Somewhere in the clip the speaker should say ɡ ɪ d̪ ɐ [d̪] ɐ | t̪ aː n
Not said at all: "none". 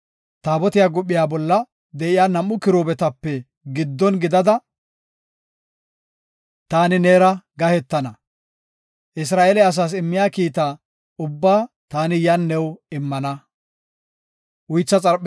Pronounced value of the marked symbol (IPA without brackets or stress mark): d̪